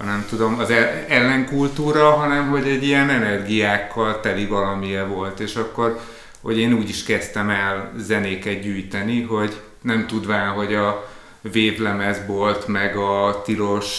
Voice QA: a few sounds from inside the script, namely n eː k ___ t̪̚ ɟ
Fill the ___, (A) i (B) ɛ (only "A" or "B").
B